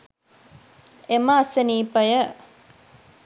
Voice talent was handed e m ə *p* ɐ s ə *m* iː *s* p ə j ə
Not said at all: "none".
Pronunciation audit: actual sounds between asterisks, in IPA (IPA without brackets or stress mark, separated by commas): none, n, none